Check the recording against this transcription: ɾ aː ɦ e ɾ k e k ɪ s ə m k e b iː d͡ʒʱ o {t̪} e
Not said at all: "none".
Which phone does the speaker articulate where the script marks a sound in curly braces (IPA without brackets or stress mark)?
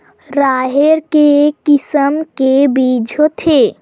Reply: t̪ʰ